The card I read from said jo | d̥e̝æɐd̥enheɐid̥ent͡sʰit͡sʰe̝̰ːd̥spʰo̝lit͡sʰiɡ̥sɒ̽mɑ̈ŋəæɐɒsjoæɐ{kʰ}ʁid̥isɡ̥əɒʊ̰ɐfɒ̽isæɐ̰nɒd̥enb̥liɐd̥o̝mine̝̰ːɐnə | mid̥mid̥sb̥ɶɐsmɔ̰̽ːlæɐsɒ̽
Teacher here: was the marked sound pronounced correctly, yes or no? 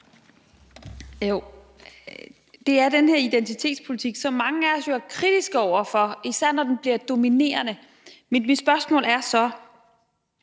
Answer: yes